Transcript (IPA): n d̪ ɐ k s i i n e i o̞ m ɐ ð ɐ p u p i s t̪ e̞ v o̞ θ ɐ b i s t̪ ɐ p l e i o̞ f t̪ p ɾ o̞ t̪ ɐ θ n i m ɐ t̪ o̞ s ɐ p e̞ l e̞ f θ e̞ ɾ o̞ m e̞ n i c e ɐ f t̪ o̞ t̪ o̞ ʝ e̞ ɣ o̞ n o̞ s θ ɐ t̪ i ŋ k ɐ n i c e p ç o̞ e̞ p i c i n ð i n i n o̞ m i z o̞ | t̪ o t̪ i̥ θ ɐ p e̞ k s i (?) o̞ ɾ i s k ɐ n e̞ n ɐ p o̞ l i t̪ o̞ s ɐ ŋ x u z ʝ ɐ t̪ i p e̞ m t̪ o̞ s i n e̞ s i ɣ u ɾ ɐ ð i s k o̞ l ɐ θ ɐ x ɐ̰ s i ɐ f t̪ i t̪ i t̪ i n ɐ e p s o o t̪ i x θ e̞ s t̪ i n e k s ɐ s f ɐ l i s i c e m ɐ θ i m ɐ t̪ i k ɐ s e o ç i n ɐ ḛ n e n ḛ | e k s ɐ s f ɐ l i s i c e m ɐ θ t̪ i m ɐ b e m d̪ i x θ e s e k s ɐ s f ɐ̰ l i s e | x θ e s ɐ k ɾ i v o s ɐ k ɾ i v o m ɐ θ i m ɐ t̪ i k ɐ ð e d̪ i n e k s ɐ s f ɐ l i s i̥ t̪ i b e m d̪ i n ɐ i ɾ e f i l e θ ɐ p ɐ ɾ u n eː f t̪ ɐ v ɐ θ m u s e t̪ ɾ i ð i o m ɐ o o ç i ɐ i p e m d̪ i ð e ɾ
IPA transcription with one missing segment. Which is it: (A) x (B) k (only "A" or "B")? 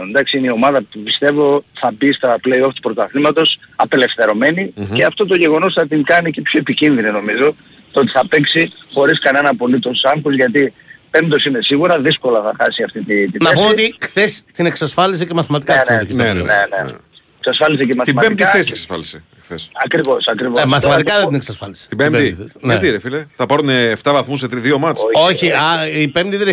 A